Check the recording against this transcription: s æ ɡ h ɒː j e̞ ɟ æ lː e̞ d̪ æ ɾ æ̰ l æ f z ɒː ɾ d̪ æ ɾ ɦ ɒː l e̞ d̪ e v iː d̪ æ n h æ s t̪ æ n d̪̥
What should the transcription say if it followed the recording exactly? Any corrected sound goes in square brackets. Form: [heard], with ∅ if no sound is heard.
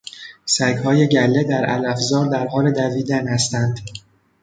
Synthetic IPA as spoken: s æ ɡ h ɒː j e̞ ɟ æ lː e̞ d̪ æ ɾ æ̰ l æ f z ɒː ɾ d̪ æ ɾ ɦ ɒː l e̞ d̪ [æ] v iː d̪ æ n h æ s t̪ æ n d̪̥